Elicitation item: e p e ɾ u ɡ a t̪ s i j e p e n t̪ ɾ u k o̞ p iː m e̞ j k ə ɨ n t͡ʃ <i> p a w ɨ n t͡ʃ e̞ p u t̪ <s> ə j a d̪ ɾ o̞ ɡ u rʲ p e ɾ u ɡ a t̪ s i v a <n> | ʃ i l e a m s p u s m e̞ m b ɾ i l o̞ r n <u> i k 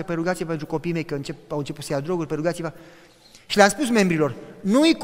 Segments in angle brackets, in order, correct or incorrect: incorrect: e, correct, incorrect: none, correct

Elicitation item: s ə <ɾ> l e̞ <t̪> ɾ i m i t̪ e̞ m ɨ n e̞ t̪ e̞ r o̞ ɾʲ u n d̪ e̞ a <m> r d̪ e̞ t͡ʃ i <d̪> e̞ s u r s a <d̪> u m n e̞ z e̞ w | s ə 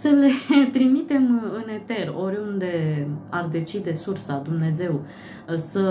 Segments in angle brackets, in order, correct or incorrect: incorrect: none, correct, incorrect: none, correct, correct

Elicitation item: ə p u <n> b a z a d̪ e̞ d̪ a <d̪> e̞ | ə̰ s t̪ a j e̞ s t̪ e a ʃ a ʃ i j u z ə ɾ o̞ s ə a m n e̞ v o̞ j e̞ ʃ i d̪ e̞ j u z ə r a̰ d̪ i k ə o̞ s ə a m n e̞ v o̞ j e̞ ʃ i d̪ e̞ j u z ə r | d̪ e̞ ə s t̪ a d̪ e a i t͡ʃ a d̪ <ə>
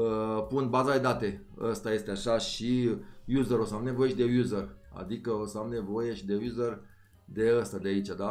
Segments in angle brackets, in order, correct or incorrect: correct, incorrect: t̪, incorrect: a

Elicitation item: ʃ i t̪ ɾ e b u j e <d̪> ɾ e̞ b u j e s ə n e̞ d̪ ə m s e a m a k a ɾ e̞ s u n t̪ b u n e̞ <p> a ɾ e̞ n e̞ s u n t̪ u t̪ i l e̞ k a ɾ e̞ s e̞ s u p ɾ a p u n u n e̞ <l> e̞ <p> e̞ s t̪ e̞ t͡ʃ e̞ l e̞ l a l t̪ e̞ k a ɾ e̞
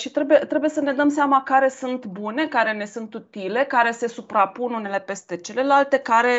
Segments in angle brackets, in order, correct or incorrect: incorrect: t̪, incorrect: k, correct, correct

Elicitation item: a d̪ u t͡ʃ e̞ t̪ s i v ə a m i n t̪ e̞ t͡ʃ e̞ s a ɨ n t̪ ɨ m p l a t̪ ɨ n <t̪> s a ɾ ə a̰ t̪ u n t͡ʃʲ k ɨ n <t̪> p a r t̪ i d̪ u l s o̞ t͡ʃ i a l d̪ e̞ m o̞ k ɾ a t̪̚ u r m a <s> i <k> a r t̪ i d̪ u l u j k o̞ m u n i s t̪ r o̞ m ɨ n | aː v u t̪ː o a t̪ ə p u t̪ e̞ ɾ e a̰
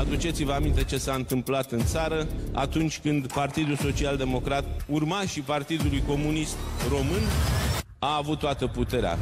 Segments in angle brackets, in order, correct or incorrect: correct, incorrect: d̪, incorrect: ʃ, incorrect: p

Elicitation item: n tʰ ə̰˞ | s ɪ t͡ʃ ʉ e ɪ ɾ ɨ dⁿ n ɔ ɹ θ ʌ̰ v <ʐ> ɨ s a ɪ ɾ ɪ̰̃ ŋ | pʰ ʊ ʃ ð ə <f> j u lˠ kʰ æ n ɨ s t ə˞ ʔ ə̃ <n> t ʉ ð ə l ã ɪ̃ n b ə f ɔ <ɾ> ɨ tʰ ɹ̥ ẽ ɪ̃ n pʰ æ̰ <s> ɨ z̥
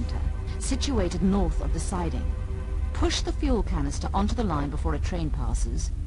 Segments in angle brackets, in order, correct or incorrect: incorrect: ð, correct, correct, incorrect: ɹ, correct

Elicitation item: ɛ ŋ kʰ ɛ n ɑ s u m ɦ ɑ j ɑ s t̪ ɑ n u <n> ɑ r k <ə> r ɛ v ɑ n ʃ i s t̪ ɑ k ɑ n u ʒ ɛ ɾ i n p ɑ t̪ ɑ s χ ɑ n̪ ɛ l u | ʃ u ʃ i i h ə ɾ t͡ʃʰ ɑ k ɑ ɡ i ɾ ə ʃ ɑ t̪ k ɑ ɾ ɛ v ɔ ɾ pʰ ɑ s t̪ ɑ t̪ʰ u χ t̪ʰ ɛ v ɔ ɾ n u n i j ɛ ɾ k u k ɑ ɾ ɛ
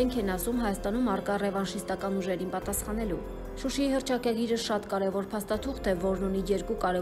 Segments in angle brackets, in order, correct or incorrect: incorrect: m, incorrect: ɑ

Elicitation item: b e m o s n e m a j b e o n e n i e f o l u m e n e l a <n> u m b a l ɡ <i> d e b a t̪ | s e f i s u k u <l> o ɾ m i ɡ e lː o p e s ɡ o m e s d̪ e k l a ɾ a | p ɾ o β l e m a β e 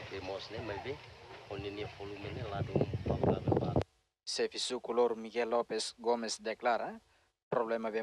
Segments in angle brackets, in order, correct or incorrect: incorrect: d, incorrect: a, correct

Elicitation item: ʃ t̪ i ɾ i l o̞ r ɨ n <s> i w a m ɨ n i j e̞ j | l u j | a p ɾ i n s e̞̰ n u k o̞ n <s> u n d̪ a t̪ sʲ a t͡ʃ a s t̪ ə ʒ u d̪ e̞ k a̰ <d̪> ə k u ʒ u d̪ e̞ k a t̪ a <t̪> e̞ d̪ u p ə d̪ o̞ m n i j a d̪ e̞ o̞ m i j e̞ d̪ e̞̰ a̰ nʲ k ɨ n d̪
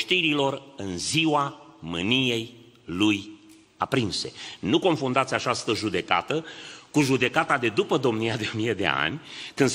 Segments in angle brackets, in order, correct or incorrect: incorrect: z, incorrect: f, incorrect: t̪, incorrect: d̪

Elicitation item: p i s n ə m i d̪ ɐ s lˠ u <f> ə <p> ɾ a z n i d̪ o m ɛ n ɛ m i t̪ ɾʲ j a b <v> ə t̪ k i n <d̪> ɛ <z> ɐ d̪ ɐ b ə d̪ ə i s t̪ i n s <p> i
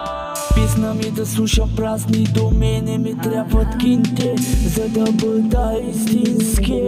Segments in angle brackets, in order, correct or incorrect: incorrect: ʃ, correct, correct, incorrect: t̪, correct, incorrect: k

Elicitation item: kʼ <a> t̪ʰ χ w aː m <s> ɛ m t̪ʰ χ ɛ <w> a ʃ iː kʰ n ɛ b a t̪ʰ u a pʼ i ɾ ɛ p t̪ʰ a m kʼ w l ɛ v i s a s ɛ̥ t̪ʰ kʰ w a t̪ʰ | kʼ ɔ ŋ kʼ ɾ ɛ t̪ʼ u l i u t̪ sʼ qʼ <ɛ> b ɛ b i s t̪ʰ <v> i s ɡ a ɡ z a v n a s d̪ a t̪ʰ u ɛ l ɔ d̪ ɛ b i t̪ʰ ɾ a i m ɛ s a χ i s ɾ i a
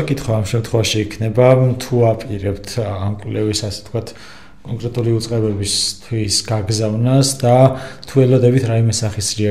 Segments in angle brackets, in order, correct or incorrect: incorrect: i, incorrect: ʃ, incorrect: v, correct, incorrect: w

